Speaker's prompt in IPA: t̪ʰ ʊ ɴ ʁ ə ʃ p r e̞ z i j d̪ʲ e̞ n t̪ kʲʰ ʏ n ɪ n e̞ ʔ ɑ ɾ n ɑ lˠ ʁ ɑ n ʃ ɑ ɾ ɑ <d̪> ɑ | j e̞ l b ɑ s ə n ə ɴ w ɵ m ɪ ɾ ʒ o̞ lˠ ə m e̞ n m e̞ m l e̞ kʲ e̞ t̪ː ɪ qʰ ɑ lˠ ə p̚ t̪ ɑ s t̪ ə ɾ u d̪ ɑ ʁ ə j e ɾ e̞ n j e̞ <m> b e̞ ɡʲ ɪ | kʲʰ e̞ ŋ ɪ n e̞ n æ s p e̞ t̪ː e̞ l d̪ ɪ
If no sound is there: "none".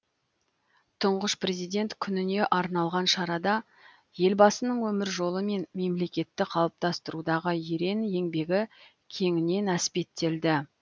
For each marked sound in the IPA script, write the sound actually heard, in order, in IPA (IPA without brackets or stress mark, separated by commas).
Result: d̪, ŋ